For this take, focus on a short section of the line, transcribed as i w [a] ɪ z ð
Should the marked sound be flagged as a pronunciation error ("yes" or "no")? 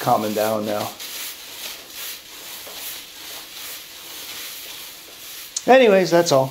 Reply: yes